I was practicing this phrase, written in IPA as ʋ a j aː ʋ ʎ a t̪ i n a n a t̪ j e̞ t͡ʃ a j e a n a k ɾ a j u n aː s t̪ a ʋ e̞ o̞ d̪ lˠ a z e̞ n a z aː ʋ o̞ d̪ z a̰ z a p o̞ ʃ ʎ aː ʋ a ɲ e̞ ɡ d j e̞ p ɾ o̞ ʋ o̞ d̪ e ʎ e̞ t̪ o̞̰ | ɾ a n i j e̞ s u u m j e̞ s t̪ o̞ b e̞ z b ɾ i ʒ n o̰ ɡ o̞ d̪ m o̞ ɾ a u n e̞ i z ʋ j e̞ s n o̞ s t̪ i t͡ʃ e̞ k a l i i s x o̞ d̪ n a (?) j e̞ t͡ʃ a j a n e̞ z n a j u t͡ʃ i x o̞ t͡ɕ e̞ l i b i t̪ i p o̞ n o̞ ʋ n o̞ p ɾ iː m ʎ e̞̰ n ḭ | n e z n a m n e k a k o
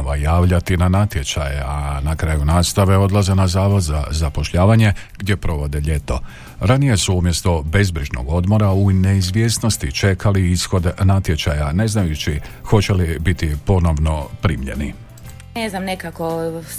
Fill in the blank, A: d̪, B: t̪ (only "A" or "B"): B